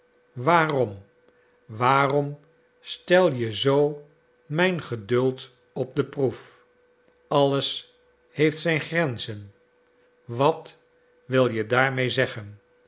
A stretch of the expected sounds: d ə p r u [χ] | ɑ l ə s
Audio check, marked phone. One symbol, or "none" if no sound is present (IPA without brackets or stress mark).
f